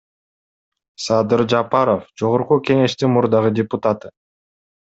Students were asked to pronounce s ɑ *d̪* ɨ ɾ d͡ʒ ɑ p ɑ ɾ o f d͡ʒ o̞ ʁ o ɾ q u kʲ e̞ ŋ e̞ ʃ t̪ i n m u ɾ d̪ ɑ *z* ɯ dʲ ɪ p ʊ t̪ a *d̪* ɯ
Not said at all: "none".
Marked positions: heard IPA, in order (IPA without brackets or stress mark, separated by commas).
d̪, ʁ, t̪